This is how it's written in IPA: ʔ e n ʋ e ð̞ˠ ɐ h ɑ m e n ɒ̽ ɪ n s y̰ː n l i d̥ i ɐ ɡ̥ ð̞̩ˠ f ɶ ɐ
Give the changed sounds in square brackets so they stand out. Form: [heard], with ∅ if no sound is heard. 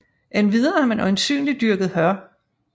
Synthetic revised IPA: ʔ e n ʋ [i] ð̞ˠ ɐ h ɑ m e n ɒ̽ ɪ n s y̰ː n l i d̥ [y] ɐ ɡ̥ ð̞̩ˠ [h] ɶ ɐ